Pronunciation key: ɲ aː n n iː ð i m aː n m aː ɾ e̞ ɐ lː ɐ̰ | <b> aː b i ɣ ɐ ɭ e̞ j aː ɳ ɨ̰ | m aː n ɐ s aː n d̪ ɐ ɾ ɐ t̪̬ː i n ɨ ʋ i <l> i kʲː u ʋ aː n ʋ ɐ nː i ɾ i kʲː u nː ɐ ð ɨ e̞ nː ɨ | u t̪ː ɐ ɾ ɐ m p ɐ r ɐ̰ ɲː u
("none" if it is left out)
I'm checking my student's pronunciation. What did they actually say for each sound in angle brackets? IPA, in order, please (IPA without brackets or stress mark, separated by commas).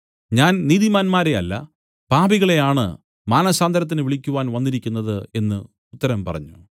p, ɭ